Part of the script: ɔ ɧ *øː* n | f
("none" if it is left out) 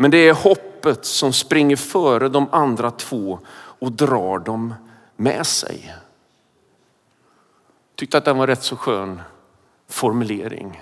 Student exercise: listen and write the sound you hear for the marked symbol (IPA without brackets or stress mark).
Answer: øː